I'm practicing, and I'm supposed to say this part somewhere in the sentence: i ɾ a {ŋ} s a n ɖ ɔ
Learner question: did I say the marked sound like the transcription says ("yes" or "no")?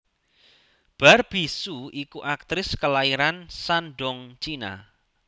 no